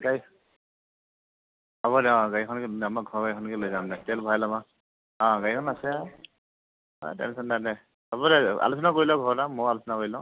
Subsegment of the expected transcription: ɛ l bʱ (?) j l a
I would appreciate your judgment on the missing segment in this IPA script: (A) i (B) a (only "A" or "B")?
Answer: B